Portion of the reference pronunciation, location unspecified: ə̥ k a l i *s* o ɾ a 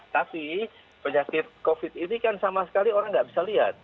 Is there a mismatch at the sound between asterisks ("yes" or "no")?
yes